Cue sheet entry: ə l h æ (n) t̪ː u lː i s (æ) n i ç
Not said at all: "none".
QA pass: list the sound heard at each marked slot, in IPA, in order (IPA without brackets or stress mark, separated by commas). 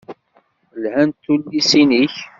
n, i